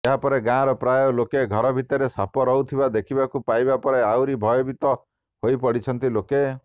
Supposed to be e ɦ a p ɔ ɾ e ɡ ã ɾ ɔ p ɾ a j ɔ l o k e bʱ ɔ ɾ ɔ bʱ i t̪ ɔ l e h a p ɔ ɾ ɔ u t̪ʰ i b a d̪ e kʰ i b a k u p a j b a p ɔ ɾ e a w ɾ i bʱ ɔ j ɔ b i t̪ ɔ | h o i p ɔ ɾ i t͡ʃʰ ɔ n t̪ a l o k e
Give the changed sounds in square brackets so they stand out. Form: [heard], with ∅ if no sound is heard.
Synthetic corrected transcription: e ɦ a p ɔ ɾ e ɡ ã ɾ ɔ p ɾ a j ɔ l o k e [ɡʱ] ɔ ɾ ɔ bʱ i t̪ ɔ [ɾ] e [s] a p ɔ ɾ ɔ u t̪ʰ i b a d̪ e kʰ i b a k u p a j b a p ɔ ɾ e a w ɾ i bʱ ɔ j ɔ b i t̪ ɔ | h o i p ɔ [ɽ] i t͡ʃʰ ɔ n t̪ [i] l o k e

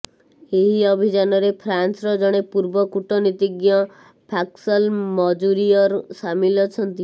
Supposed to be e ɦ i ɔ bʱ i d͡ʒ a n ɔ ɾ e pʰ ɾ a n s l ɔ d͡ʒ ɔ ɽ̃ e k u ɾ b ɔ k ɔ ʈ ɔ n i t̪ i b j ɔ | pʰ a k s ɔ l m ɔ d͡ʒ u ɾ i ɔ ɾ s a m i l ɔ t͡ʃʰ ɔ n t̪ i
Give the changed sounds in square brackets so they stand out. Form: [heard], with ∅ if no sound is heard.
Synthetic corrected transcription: e ɦ i ɔ bʱ i d͡ʒ a n ɔ ɾ e pʰ ɾ a n s [ɾ] ɔ d͡ʒ ɔ ɽ̃ e [p] u ɾ b ɔ k [u] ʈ ɔ n i t̪ i [ɡ] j ɔ | pʰ a k s ɔ l m ɔ d͡ʒ u ɾ i ɔ ɾ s a m i l ɔ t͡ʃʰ ɔ n t̪ i

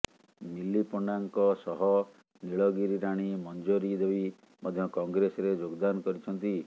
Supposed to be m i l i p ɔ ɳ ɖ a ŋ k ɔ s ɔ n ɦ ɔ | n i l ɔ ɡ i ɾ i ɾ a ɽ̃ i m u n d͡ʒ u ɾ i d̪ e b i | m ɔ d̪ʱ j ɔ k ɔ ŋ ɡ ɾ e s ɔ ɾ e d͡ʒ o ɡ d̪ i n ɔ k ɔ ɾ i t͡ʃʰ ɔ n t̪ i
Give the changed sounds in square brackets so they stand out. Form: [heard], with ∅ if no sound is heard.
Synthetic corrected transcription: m i l i p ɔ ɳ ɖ a ŋ k ɔ s ɔ [∅] ɦ ɔ | n i [ɭ] ɔ ɡ i ɾ i ɾ a ɽ̃ i m [ɔ] n d͡ʒ [o] ɾ i d̪ e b i | m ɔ d̪ʱ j ɔ k ɔ ŋ ɡ ɾ e s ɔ ɾ e d͡ʒ o ɡ d̪ [a] n ɔ k ɔ ɾ i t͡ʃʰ ɔ n t̪ i

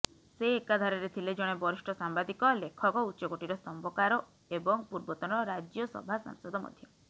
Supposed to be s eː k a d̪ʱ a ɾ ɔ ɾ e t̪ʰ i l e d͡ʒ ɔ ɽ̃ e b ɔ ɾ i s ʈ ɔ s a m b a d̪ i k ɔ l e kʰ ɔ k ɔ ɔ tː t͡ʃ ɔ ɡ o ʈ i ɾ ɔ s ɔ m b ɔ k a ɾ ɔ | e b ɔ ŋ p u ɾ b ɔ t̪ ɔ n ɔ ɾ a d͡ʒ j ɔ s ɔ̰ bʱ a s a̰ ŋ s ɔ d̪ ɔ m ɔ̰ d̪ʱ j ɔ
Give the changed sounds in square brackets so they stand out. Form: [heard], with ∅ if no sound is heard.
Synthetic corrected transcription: s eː k a d̪ʱ a ɾ ɔ ɾ e t̪ʰ i l e d͡ʒ ɔ ɽ̃ e b ɔ ɾ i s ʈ ɔ s a m b a d̪ i k ɔ l e kʰ ɔ k ɔ [u] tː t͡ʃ ɔ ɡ o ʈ i ɾ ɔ s ɔ m b ɔ k a ɾ ɔ | e b ɔ ŋ p u ɾ b ɔ t̪ ɔ n ɔ ɾ a d͡ʒ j ɔ s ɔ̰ bʱ a s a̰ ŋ s ɔ d̪ ɔ m ɔ̰ d̪ʱ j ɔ

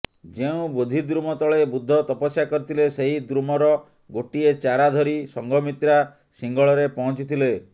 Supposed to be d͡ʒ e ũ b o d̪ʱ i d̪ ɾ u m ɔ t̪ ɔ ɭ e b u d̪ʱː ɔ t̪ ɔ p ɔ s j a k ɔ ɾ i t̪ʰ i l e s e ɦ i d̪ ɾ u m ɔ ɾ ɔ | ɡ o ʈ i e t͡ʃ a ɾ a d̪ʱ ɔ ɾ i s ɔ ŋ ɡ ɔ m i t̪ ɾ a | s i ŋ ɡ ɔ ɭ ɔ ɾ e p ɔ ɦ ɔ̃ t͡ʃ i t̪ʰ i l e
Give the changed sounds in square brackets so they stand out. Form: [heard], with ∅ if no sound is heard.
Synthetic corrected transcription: d͡ʒ e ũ b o d̪ʱ i d̪ ɾ u m ɔ t̪ ɔ ɭ e b u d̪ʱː ɔ t̪ ɔ p ɔ s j a k ɔ ɾ i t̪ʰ i l e s e ɦ i d̪ ɾ u m ɔ ɾ ɔ | ɡ o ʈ i e t͡ʃ a ɾ a d̪ʱ ɔ ɾ i s ɔ ŋ ɡ ɔ m i t̪ ɾ a | s i ŋ ɡ ɔ ɭ ɔ ɾ e p ɔ ɦ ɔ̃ t͡ʃ i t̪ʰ i l e

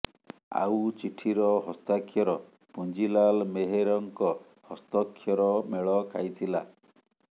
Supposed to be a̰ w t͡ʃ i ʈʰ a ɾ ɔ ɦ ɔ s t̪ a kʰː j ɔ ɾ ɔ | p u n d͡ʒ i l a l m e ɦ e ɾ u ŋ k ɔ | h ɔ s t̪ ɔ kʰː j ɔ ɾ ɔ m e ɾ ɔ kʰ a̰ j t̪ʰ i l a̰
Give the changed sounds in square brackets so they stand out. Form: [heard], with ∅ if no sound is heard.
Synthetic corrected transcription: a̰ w t͡ʃ i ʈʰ [i] ɾ ɔ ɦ ɔ s t̪ a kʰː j ɔ ɾ ɔ | p u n d͡ʒ i l a l m e ɦ e ɾ [ɔ] ŋ k ɔ | h ɔ s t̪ ɔ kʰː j ɔ ɾ ɔ m e [ɭ] ɔ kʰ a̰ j t̪ʰ i l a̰

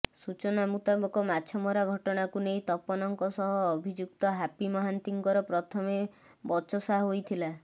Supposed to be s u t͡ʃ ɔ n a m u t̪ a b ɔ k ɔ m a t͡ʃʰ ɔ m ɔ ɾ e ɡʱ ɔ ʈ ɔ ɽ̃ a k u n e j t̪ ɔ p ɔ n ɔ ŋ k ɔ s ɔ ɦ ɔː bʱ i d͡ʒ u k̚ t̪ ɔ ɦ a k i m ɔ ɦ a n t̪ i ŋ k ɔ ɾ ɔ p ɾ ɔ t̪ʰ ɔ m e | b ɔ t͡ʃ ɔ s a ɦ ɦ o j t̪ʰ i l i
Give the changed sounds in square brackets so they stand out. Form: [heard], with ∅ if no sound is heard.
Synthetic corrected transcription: s u t͡ʃ ɔ n a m u t̪ a b ɔ k ɔ m a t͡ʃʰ ɔ m ɔ ɾ [a] ɡʱ ɔ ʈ ɔ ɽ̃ a k u n e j t̪ ɔ p ɔ n ɔ ŋ k ɔ s ɔ ɦ ɔː bʱ i d͡ʒ u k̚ t̪ ɔ ɦ a [p] i m ɔ ɦ a n t̪ i ŋ k ɔ ɾ ɔ p ɾ ɔ t̪ʰ ɔ m e | b ɔ t͡ʃ ɔ s a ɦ ɦ o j t̪ʰ i l [a]

